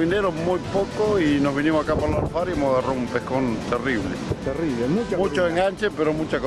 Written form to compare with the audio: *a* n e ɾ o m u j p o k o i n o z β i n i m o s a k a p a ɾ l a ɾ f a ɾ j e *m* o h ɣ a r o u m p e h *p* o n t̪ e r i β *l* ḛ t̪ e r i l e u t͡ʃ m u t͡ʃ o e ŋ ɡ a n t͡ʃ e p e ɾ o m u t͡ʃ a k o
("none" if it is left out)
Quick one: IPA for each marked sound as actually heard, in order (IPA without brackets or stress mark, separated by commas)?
i, m, k, l